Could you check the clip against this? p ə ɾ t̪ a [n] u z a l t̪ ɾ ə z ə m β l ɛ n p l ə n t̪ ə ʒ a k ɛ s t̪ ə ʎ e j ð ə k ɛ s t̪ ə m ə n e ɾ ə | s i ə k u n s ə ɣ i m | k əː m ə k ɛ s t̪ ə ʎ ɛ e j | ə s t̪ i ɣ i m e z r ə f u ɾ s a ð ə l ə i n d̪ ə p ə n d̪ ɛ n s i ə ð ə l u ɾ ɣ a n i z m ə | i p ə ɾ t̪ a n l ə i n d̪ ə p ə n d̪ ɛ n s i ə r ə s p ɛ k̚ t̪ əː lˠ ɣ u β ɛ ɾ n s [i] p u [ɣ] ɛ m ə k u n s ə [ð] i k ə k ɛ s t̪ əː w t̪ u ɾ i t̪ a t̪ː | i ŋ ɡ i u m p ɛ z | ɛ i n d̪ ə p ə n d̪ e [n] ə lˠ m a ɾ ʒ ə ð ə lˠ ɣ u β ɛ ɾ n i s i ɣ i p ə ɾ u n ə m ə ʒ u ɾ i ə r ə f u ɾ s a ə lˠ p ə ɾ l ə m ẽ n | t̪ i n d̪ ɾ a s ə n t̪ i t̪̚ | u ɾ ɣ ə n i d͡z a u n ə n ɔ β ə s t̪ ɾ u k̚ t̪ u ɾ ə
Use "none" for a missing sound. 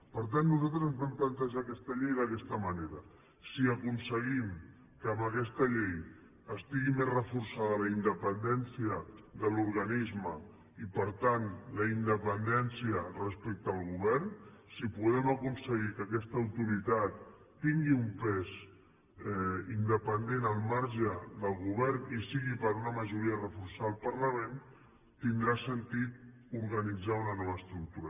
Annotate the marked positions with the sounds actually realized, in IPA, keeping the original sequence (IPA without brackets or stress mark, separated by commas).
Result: nː, i, ð, ɣ, n